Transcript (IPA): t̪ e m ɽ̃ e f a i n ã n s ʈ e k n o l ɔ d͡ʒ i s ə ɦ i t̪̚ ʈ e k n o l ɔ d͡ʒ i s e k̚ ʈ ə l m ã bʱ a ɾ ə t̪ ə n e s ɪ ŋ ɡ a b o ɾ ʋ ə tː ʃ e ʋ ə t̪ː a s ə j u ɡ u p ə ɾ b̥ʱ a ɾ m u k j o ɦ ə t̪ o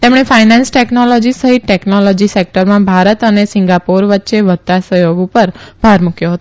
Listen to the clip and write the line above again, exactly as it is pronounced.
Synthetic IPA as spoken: t̪ e m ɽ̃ e f a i n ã n s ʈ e k n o l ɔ d͡ʒ i s ə ɦ i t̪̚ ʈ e k n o l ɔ d͡ʒ i s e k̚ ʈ ə ɾ m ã bʱ a ɾ ə t̪ ə n e s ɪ ŋ ɡ a p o ɾ ʋ ə tː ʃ e ʋ ə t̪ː a s ə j o ɡ u p ə ɾ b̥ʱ a ɾ m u k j o ɦ ə t̪ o